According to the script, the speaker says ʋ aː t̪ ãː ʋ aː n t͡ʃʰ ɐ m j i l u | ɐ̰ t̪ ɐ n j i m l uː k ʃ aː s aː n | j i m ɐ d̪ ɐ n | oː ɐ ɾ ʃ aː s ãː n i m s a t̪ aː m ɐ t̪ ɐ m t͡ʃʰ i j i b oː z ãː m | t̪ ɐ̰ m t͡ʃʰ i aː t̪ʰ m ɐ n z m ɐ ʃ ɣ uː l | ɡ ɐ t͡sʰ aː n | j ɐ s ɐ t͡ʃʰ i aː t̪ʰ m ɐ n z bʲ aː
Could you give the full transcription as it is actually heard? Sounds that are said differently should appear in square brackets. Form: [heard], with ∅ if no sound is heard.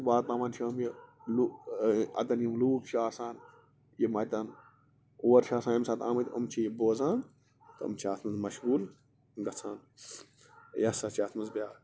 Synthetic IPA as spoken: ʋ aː t̪ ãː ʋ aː n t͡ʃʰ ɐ m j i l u | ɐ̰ t̪ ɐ n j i m l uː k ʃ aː s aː n | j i m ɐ [t̪] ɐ n | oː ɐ ɾ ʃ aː s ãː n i m s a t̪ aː m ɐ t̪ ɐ m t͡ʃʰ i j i b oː z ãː [n] | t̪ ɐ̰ m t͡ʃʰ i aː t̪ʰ m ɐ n z m ɐ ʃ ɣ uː l | ɡ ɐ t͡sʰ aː n | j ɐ s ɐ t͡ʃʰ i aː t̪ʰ m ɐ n z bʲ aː